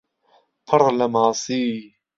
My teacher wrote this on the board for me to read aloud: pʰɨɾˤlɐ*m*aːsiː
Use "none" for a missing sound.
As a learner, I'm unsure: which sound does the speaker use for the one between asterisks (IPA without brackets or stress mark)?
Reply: m